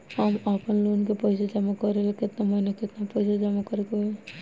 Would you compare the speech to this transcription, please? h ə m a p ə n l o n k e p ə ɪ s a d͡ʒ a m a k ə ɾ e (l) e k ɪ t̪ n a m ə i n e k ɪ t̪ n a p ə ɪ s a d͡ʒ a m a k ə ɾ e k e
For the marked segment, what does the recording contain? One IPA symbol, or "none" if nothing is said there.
l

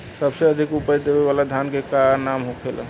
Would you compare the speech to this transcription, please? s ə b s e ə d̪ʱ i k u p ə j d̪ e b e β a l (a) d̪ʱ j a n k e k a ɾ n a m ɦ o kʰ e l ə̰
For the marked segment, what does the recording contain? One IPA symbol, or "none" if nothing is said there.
a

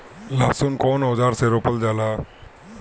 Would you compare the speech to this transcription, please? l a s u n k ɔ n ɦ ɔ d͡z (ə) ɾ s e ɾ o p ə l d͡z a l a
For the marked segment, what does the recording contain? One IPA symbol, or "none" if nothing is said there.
a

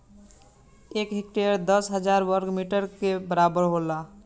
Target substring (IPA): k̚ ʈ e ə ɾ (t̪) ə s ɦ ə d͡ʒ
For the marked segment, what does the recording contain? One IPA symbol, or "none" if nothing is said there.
d̪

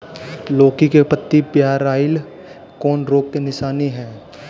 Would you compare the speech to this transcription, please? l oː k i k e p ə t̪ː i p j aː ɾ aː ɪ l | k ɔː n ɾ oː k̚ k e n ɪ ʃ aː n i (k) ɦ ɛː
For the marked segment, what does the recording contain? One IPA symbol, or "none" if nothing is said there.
none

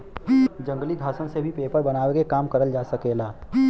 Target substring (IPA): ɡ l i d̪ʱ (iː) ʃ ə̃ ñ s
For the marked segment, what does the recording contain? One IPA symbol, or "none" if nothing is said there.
aː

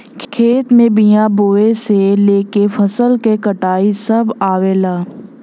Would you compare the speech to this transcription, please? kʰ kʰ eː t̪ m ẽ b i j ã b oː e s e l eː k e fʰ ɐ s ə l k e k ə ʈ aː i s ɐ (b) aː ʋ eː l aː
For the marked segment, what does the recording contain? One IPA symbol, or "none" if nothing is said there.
b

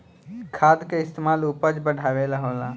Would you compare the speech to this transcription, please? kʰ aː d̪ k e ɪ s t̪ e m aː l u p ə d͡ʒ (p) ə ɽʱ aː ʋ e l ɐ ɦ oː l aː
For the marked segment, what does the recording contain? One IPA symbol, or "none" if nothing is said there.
b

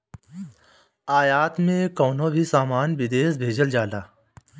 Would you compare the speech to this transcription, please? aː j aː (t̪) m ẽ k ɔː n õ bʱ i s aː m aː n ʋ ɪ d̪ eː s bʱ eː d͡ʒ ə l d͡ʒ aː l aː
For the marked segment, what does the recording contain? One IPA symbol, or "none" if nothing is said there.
t̪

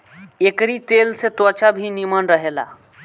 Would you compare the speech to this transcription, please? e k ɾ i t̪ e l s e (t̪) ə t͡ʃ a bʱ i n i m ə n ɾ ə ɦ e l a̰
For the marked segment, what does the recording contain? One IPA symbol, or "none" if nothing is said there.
t̪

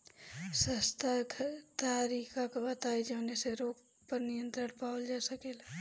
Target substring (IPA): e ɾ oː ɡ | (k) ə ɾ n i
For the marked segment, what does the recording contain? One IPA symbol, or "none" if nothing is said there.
p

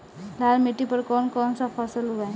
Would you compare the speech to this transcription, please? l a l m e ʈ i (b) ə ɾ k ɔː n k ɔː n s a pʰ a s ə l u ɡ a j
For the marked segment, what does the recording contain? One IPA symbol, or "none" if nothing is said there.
p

